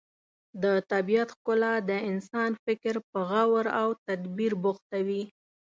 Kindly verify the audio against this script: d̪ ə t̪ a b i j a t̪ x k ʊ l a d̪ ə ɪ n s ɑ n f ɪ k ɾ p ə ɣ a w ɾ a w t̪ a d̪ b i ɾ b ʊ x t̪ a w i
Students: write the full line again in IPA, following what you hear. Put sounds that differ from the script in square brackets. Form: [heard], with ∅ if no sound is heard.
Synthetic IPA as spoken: d̪ ə t̪ a b i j a t̪ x k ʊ l a d̪ ə ɪ n s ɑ n f ɪ k ɾ p ə ɣ a w ɾ a w t̪ a d̪ b i ɾ b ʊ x t̪ a w i